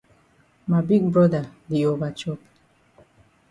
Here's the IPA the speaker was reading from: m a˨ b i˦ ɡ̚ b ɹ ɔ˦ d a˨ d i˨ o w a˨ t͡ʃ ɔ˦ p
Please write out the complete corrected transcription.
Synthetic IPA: m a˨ b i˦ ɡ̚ b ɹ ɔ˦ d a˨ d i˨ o v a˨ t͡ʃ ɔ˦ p